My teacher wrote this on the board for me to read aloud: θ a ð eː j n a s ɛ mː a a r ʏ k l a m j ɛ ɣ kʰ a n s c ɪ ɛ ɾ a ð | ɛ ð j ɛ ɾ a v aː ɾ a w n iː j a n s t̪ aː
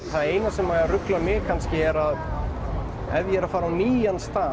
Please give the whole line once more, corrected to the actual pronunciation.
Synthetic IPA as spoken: θ a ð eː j n a s ɛ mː a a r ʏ k l a m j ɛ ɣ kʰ a n s c ɪ ɛ ɾ a ð | ɛ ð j ɛ ɾ a f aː ɾ a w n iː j a n s t̪ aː